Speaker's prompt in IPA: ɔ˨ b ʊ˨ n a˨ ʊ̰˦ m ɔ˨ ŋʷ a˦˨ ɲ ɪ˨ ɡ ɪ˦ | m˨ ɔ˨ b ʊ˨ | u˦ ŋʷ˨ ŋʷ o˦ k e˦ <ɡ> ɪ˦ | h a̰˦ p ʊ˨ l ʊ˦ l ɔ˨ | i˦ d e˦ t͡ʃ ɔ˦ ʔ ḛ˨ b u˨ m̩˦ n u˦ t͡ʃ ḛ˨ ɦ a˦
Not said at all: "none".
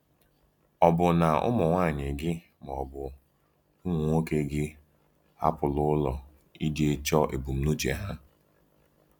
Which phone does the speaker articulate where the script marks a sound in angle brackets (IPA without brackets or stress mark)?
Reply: ɡ